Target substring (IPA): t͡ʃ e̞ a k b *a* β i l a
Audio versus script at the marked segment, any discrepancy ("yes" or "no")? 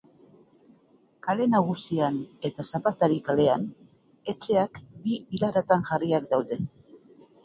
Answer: yes